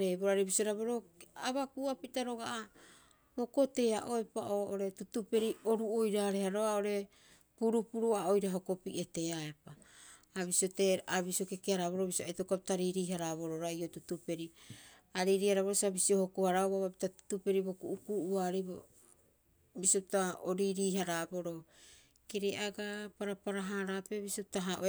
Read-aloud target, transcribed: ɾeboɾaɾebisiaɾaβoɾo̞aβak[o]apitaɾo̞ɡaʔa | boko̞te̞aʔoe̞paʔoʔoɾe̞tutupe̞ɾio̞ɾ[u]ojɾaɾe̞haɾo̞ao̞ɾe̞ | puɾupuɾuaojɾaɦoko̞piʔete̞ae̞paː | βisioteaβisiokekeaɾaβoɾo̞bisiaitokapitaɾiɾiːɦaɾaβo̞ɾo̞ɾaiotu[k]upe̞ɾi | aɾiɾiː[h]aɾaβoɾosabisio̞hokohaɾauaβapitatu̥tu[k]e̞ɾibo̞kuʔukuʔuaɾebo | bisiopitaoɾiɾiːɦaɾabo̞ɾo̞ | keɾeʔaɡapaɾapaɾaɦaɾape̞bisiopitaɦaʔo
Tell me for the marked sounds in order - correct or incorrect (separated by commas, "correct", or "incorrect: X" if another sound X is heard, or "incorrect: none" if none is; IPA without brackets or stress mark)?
incorrect: u, correct, incorrect: t, correct, incorrect: p